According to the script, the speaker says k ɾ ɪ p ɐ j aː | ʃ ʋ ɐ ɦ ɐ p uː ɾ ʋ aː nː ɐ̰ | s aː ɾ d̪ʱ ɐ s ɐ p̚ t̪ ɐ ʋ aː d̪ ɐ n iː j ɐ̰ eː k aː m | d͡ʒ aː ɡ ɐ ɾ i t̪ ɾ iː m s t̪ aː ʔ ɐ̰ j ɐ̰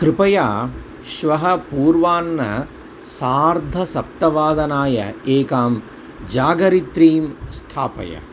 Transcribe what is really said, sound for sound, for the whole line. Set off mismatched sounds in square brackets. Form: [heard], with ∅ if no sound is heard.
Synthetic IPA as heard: k ɾ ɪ p ɐ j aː | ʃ ʋ ɐ ɦ ɐ p uː ɾ ʋ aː nː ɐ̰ | s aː ɾ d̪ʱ ɐ s ɐ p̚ t̪ ɐ ʋ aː d̪ ɐ n [aː] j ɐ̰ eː k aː m | d͡ʒ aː ɡ ɐ ɾ i t̪ ɾ iː m s [t̪ʰ] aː [p] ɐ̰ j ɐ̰